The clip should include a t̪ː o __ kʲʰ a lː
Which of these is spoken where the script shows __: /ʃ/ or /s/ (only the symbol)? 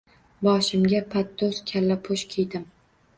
s